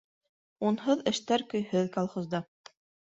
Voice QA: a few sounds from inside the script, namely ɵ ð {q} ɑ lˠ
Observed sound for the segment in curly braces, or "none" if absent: k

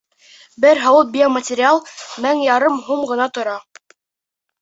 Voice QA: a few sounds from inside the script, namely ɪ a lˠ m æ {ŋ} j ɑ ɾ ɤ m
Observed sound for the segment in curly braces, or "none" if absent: ŋ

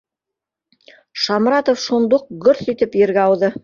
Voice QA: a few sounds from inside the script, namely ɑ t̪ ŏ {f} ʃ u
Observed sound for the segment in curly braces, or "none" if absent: f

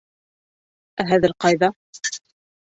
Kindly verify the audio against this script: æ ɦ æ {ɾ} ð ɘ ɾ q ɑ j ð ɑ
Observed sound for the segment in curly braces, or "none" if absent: none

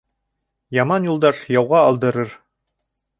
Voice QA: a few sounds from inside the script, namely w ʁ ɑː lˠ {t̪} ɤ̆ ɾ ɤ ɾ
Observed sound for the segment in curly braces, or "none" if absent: d̪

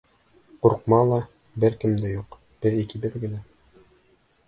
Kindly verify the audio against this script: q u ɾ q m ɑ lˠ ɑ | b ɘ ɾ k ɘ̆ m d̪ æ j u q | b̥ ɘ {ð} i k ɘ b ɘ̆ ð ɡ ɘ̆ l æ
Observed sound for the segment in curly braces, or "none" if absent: ð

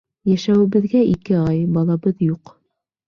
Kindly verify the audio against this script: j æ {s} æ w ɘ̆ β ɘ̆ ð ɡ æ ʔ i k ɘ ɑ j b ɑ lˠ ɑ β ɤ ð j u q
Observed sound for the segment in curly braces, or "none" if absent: ʃ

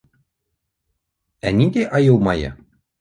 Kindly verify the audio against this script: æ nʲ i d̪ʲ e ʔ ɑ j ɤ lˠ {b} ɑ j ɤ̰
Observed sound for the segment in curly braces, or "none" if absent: m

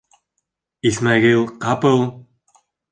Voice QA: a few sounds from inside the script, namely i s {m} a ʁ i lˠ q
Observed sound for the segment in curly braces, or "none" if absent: m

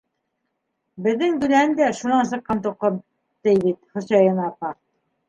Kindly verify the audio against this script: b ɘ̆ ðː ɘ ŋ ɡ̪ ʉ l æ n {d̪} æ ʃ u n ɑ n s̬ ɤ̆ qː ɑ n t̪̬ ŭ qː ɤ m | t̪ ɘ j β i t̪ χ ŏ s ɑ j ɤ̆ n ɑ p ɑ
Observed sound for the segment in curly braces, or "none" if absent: d̪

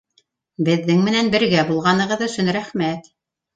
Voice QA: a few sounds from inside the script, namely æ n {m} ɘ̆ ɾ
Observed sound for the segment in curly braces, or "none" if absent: b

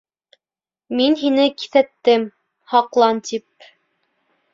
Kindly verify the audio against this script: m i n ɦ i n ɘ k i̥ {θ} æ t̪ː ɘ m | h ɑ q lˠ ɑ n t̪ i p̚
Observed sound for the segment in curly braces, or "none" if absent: θ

